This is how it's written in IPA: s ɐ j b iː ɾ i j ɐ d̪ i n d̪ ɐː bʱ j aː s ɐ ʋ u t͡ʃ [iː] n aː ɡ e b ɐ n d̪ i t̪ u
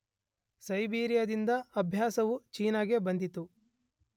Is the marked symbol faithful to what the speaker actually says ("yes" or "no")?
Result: yes